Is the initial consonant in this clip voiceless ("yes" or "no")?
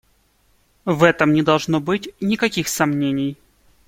no